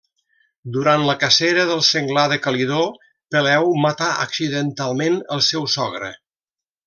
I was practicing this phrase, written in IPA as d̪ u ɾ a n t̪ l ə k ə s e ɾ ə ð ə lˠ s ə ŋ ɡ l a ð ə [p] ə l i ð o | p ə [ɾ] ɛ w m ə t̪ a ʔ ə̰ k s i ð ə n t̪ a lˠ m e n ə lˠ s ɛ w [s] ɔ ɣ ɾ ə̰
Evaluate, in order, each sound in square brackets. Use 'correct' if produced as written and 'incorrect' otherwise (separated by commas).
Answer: incorrect, incorrect, correct